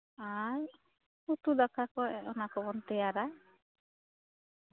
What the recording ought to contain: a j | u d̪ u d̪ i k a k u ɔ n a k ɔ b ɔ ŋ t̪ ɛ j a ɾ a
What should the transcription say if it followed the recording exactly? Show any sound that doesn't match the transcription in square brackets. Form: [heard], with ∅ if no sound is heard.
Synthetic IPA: a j | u [t̪] u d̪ [a] k a k [ɔ] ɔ n a k ɔ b ɔ [n] t̪ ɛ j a ɾ a